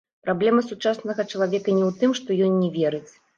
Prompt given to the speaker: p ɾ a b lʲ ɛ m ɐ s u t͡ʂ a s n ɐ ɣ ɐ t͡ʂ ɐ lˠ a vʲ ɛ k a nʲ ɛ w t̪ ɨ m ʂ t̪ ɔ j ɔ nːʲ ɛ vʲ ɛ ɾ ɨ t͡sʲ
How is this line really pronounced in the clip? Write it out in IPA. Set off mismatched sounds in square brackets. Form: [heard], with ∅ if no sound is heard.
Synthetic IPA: p ɾ a b lʲ ɛ m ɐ s u t͡ʂ a s n ɐ ɣ ɐ t͡ʂ ɐ lˠ a vʲ ɛ k [ɐ] nʲ ɛ w t̪ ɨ m ʂ t̪ ɔ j ɔ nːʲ ɛ vʲ ɛ ɾ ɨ t͡sʲ